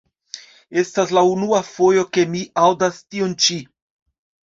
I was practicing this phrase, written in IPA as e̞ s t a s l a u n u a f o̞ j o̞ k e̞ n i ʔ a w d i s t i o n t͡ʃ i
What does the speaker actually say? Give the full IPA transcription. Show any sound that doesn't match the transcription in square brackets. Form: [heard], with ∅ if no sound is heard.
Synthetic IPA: e̞ s t a s l a u n u a f o̞ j o̞ k e̞ [m] i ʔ a w d [a] s t i o n t͡ʃ i